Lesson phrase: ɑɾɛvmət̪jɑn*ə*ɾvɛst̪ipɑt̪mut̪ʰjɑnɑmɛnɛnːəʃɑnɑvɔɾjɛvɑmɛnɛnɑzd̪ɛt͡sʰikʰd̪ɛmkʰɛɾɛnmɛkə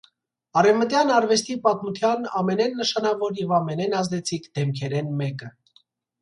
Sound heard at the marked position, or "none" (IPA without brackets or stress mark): ɑ